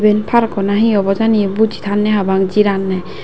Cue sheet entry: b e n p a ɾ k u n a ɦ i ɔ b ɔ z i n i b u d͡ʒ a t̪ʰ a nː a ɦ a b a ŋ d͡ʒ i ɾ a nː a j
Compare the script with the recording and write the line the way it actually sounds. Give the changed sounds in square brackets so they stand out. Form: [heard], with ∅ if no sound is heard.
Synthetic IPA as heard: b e n [pʰ] a ɾ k [ɔ] n a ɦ i ɔ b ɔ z [a] n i b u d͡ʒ [i] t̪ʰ a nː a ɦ a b a ŋ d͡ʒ i ɾ a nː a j